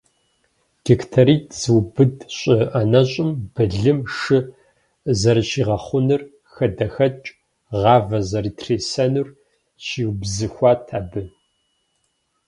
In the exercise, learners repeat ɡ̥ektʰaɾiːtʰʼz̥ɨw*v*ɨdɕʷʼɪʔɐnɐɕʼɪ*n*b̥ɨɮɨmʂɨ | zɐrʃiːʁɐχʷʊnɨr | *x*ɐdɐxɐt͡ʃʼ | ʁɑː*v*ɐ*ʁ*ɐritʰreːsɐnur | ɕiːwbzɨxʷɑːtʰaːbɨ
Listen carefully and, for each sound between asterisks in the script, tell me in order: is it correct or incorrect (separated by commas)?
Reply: incorrect, incorrect, correct, correct, incorrect